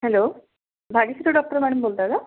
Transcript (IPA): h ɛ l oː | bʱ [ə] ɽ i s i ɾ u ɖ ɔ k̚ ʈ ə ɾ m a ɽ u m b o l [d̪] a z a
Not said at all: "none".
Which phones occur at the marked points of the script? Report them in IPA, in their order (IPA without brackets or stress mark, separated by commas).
a, t̪